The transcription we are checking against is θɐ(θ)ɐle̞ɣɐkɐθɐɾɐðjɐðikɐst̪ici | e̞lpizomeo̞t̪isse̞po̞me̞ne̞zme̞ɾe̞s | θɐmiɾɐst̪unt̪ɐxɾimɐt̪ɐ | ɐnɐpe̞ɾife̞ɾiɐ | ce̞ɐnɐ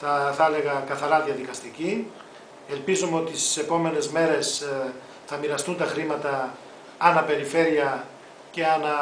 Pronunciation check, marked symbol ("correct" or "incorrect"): correct